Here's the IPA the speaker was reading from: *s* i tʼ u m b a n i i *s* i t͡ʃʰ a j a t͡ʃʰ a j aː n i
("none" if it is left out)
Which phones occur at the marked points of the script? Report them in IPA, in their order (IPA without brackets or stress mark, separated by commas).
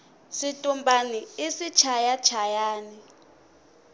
s, s